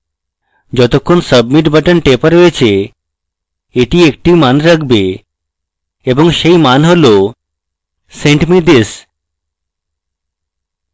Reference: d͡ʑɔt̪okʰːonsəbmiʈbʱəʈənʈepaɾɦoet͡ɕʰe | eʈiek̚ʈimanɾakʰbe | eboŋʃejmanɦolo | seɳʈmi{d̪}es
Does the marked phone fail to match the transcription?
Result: no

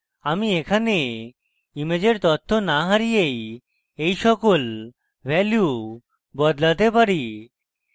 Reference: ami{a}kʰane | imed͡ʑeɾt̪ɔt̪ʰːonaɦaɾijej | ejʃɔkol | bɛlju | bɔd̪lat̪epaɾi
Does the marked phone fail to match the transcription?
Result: yes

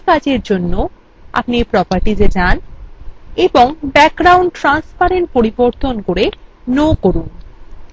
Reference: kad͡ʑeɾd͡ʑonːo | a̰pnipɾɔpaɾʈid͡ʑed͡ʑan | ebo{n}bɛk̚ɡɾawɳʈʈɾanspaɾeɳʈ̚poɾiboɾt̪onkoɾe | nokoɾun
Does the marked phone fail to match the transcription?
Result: yes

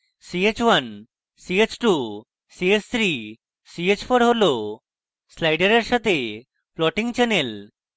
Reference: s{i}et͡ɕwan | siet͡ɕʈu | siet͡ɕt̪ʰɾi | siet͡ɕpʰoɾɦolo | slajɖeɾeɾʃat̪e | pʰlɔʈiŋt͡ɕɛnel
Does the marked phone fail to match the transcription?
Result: no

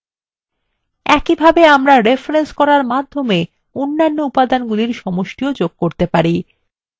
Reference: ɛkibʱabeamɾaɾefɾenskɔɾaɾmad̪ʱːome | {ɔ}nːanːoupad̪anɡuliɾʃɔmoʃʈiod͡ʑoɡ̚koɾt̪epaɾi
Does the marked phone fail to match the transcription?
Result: yes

